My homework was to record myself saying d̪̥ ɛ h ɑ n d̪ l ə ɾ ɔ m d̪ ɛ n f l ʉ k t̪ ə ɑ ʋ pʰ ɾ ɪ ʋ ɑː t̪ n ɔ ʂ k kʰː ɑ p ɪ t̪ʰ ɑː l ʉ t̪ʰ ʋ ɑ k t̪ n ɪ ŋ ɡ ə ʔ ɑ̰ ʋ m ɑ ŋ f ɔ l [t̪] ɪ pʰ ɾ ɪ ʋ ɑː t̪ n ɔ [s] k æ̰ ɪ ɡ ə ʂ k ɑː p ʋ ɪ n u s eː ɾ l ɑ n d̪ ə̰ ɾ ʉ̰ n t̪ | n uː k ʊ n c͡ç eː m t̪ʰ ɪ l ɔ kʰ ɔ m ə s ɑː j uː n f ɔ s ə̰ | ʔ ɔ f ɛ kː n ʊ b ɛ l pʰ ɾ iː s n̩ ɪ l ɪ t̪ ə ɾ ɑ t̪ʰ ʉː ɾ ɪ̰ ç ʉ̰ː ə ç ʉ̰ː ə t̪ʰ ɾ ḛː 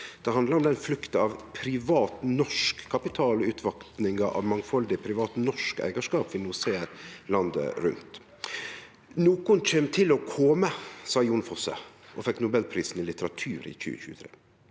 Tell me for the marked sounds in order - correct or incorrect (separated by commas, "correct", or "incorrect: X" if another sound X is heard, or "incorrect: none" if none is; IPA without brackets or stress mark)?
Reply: incorrect: d̪, incorrect: ʂ